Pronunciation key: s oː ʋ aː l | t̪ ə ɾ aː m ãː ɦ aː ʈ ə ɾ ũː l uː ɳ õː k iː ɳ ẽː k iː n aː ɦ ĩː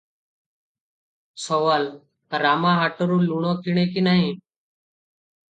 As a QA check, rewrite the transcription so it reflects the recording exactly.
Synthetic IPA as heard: s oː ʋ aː l | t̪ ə ɾ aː m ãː ɦ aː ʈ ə ɾ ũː l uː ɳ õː k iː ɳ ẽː k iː n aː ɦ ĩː